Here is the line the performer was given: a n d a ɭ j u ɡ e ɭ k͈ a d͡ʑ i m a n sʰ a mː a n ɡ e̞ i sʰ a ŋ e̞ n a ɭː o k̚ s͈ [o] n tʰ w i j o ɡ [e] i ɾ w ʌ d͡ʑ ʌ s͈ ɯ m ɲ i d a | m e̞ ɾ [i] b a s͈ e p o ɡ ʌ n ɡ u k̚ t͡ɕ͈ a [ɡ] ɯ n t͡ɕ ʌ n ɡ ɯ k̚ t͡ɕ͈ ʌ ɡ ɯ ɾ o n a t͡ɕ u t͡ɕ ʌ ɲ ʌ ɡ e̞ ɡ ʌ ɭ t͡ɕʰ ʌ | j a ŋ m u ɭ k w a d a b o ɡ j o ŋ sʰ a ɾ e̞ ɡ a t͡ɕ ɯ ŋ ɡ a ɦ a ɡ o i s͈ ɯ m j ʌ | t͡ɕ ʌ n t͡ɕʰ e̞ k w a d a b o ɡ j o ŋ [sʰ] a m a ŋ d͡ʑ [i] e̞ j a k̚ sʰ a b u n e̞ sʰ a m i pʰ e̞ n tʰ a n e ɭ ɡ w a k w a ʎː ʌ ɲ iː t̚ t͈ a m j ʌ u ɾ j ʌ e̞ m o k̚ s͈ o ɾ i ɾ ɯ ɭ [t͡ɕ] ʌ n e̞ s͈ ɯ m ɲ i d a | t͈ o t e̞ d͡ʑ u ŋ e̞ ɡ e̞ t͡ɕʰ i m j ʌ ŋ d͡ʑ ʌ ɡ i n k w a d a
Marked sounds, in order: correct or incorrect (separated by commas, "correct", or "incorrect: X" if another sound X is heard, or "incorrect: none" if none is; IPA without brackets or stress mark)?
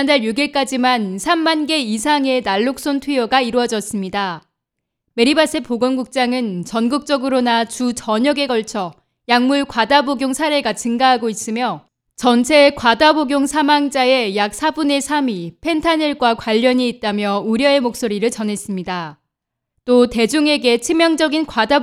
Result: correct, incorrect: a, correct, incorrect: ŋ, correct, incorrect: a, correct